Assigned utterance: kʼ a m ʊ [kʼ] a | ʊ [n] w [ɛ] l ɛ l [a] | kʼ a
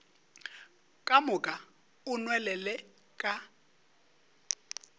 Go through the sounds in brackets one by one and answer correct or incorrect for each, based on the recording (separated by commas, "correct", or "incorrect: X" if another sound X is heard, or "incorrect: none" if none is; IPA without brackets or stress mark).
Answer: correct, correct, correct, incorrect: ɛ